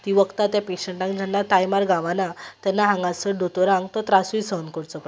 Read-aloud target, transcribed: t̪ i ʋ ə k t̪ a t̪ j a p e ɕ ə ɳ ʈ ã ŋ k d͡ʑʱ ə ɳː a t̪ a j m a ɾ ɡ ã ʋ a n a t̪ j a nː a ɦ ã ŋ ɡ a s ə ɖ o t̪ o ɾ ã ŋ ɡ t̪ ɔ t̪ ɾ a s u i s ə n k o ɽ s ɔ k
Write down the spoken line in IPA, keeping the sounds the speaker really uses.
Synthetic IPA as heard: t̪ i ʋ ə k t̪ a t̪ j a p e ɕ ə ɳ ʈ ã ŋ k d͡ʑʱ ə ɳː a t̪ a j m a ɾ ɡ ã ʋ a n a t̪ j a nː a ɦ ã ŋ ɡ a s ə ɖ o t̪ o ɾ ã ŋ ɡ t̪ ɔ t̪ ɾ a s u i s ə n k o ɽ t͡s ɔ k

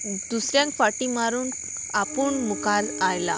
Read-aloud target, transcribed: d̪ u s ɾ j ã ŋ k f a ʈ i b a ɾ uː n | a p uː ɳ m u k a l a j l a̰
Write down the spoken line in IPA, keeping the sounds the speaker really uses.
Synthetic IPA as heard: d̪ u s ɾ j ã ŋ k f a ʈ i m a ɾ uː n | a p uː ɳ m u k a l a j l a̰

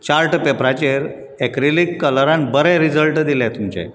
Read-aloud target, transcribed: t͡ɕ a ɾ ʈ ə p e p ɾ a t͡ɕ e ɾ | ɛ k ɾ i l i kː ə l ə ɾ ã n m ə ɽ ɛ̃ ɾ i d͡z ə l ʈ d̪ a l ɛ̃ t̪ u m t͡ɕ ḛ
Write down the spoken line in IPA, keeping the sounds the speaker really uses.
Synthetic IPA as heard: t͡ɕ a ɾ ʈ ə p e p ɾ a t͡ɕ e ɾ | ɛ k ɾ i l i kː ə l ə ɾ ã n b ə ɾ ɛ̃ ɾ i d͡z ə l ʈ d̪ i l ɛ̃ t̪ u m t͡ɕ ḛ

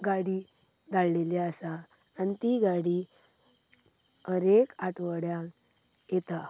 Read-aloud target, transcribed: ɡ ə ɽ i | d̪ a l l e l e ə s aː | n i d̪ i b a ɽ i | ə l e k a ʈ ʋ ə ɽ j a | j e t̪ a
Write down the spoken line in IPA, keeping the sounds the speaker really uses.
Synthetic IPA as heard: ɡ a ɽ i | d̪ a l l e l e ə s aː | n i t̪ i ɡ a ɽ i | ə ɾ e k a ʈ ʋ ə ɽ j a | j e t̪ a

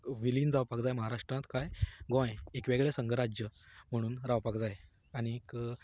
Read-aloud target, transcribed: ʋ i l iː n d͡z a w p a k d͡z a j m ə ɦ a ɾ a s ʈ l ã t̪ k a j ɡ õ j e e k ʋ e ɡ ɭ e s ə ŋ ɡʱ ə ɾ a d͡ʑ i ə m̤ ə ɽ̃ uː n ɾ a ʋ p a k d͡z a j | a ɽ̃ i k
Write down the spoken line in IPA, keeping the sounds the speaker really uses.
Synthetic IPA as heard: ʋ i l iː n d͡z a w p a k d͡z a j m ə ɦ a ɾ a ʂ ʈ ɾ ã t̪ k a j ɡ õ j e e k ʋ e ɡ ɭ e s ə ŋ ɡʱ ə ɾ a d͡ʑ j ə m̤ ə ɽ̃ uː n ɾ a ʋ p a k d͡z a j | a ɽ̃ i k

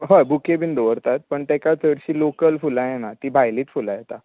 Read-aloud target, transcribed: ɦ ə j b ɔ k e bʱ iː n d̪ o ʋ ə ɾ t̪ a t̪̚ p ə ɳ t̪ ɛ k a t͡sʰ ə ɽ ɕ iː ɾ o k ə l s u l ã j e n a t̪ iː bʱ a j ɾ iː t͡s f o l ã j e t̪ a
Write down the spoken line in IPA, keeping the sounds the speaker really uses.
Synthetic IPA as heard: ɦ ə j b u k e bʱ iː n d̪ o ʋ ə ɾ t̪ a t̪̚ p ə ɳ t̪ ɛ k a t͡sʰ ə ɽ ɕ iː l o k ə l f u l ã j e n a t̪ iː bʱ a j l iː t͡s f u l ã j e t̪ a

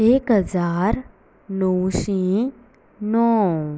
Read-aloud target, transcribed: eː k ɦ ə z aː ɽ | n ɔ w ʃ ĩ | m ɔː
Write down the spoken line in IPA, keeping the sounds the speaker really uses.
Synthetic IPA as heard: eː k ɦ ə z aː ɾ | n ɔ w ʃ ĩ | n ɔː

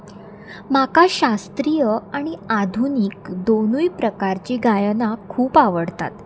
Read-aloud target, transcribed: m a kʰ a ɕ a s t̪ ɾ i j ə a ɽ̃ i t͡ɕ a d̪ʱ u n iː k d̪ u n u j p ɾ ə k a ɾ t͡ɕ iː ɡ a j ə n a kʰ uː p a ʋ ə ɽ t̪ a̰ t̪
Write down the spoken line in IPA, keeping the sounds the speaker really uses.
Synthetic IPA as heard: m a k a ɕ a s t̪ ɾ i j ə a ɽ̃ i a d̪ʱ u n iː k d̪ o n u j p ɾ ə k a ɾ t͡ɕ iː ɡ a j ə n a kʰ uː p a ʋ ə ɽ t̪ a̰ t̪

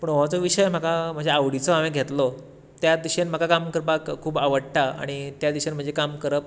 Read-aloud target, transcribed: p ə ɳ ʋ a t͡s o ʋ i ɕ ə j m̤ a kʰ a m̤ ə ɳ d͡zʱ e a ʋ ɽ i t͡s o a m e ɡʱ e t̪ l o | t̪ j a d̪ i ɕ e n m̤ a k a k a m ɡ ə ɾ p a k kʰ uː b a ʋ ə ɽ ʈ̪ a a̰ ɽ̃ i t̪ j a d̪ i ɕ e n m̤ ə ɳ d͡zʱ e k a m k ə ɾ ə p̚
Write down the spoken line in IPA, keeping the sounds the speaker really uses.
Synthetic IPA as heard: p ə ɳ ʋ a t͡s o ʋ i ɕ ə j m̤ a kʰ a m̤ ə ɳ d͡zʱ e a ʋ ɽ i t͡s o a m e ɡʱ e t̪ l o | t̪ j a d̪ i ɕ e n m̤ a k a k a m k ə ɾ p a k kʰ uː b a ʋ ə ɽ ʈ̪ a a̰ ɽ̃ i t̪ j a d̪ i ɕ e n m̤ ə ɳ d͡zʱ e k a m k ə ɾ ə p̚

